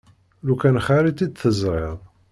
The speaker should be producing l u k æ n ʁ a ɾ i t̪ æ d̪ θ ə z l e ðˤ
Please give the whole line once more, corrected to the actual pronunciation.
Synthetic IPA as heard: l u k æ n χ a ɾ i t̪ i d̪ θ ə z ɾ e ðˤ